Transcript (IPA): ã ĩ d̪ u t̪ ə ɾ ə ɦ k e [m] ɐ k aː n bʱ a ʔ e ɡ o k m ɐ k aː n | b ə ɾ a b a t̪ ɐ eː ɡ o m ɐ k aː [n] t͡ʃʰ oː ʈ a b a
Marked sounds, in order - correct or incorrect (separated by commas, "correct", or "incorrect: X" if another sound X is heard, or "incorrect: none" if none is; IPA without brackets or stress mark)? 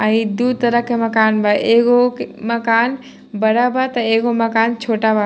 correct, correct